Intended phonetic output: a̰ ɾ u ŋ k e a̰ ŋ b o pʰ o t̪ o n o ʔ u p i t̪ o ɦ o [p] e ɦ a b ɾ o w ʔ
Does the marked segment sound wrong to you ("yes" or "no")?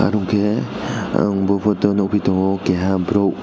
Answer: yes